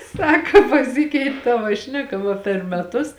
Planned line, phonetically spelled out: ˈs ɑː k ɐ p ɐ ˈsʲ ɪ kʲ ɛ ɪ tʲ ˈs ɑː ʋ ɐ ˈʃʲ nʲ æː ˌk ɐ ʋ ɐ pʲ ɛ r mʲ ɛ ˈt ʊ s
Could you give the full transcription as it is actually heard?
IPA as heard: ˈs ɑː k ɐ p ɐ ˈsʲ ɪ kʲ ɛ ɪ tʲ ˈt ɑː ʋ ɐ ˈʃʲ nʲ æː ˌk ɐ ʋ ɐ pʲ ɛ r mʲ ɛ ˈt ʊ s